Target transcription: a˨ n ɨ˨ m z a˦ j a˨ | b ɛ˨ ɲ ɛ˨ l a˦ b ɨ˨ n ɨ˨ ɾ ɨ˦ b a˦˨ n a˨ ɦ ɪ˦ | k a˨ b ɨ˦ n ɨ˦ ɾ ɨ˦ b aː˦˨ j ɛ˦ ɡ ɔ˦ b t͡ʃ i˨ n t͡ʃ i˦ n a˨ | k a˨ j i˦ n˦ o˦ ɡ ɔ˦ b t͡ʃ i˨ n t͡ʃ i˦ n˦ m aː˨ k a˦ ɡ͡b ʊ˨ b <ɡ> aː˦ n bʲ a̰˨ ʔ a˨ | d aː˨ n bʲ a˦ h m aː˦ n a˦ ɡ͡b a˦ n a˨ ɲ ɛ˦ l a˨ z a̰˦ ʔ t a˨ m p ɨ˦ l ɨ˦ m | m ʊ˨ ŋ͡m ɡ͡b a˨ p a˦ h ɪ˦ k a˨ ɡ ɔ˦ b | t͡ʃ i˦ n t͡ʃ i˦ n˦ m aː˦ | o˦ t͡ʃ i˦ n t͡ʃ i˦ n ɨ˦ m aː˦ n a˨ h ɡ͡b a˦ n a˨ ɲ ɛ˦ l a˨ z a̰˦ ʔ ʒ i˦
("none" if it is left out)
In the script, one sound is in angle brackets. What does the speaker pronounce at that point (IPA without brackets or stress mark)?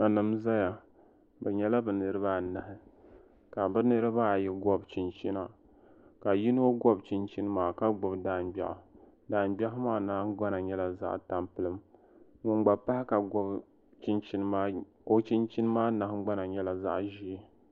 d